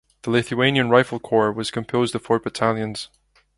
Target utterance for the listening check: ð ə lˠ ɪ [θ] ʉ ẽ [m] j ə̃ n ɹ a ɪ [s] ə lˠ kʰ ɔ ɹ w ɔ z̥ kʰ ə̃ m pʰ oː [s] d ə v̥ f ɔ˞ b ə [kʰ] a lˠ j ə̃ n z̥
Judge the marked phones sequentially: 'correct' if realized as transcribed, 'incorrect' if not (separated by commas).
correct, incorrect, incorrect, incorrect, incorrect